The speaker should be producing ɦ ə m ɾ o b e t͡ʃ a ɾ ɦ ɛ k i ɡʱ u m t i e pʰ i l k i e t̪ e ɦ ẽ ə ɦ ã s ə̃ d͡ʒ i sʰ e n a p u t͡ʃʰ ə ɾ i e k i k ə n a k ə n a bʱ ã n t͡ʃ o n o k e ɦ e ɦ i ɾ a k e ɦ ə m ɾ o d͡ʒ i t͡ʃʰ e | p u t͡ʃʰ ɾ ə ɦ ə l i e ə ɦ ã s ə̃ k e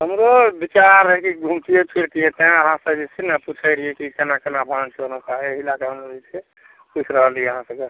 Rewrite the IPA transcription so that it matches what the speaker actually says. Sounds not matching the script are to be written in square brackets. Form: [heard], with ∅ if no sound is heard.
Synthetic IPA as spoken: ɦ ə m ɾ o b [i] t͡ʃ a ɾ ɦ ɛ k i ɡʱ u m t i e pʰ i [ɾ] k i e t̪ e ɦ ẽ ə ɦ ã s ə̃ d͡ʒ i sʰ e n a p u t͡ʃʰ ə ɾ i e k i k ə n a k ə n a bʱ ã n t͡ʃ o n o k [a] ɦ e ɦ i [l] a k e ɦ ə m ɾ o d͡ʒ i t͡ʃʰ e | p u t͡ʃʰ ɾ ə ɦ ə l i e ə ɦ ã s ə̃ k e